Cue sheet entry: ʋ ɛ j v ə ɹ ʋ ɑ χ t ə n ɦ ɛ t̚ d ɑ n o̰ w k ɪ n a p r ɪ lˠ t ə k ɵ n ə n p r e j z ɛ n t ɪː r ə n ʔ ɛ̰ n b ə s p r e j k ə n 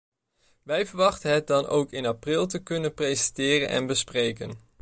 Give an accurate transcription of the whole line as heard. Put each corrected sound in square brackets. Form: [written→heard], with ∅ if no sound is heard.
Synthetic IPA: ʋ ɛ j v ə ɹ ʋ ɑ χ t ə n ɦ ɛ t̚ d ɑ n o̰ w k ɪ n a p r ɪ lˠ t ə k ɵ n ə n p r e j z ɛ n t ɪː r ə n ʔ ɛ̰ n b ə s p r e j k ə n